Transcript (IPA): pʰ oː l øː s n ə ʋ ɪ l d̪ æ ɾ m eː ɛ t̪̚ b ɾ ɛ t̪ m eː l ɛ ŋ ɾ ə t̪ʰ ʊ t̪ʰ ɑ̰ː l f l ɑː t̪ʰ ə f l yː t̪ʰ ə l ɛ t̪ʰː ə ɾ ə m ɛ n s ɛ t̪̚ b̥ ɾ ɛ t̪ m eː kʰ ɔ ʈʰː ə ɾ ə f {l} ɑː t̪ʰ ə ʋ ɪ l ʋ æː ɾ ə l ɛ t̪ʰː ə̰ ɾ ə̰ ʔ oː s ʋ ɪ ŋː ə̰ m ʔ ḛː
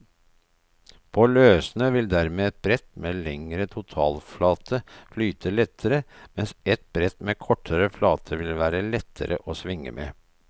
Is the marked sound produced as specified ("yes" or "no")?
yes